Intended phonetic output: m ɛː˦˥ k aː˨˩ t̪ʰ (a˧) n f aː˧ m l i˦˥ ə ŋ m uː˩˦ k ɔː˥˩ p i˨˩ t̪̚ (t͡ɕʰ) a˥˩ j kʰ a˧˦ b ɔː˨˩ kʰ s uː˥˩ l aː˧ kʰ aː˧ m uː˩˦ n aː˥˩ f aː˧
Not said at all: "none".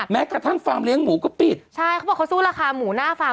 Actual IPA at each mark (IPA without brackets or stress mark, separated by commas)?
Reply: a˥˩, t͡ɕʰ